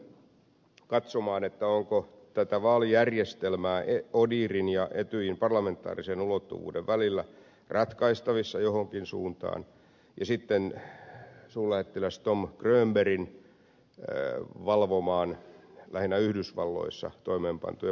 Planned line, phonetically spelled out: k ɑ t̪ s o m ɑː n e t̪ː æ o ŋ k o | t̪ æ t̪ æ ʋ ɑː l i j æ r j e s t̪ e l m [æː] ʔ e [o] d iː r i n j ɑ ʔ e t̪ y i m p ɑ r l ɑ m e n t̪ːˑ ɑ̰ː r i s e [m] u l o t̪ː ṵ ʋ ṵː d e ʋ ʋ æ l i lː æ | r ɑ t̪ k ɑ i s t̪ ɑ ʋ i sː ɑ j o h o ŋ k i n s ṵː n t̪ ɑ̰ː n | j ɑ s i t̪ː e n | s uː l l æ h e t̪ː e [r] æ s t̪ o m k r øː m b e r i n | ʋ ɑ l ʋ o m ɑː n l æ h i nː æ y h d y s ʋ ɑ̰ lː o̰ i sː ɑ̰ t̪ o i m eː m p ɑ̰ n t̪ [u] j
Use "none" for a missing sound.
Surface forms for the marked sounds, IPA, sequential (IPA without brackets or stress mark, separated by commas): æː, o, n, l, u